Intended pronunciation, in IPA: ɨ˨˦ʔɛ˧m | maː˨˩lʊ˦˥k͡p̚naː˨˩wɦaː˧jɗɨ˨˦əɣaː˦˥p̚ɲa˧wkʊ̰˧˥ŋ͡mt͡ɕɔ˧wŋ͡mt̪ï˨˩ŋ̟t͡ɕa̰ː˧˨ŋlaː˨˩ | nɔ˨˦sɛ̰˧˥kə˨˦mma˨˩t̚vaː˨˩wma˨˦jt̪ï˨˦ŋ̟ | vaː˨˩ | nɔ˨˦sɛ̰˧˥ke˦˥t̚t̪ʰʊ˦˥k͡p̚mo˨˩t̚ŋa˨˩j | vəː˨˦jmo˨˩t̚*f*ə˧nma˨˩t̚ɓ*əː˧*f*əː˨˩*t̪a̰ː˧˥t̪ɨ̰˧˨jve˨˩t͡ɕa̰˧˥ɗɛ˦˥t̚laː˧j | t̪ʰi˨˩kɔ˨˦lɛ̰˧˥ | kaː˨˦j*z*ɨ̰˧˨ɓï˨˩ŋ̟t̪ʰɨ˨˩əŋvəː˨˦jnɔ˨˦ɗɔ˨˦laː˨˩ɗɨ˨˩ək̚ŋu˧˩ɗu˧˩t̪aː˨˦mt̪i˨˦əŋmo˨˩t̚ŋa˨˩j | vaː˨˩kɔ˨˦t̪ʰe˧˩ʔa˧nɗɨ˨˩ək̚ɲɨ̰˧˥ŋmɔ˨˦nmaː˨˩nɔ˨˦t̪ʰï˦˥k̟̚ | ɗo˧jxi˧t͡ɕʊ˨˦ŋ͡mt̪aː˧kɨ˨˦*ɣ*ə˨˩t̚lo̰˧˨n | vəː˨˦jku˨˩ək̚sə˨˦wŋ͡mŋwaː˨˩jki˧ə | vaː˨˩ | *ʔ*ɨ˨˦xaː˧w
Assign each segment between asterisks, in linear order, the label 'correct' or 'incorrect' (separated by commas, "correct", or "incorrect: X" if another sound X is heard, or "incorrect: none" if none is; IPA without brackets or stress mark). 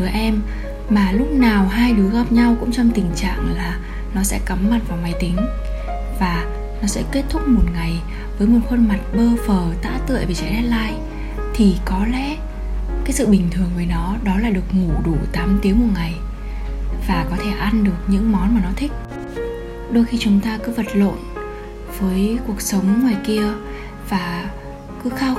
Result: incorrect: x, correct, correct, incorrect: s, incorrect: v, incorrect: k